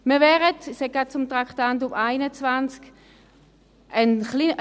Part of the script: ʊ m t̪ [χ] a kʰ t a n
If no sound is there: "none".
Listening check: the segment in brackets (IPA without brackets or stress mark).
ʁ